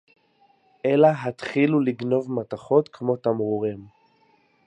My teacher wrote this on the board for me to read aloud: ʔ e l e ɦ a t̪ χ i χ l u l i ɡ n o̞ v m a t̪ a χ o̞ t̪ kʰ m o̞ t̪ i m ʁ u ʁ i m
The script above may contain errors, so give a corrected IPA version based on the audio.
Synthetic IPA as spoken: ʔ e l a ɦ a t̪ χ i l u l i ɡ n o̞ v m a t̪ a χ o̞ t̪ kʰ m o̞ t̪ a m ʁ u ʁ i m